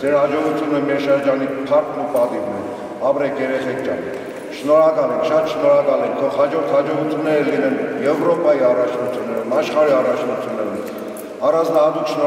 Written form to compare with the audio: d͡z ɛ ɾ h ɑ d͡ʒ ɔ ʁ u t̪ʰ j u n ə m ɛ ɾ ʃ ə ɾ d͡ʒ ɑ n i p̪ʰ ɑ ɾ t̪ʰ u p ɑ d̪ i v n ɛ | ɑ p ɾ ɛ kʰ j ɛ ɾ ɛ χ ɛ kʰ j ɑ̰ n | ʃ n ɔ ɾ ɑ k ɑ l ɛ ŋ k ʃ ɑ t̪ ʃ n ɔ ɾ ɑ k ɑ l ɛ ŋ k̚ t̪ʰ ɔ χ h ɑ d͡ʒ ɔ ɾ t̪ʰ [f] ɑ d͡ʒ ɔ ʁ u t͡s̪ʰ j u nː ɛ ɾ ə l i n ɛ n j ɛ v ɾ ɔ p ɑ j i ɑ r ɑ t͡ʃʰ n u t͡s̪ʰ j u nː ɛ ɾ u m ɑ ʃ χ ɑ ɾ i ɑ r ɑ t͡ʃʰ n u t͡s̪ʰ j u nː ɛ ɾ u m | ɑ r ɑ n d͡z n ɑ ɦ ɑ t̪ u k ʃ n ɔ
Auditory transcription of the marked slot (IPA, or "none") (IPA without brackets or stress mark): h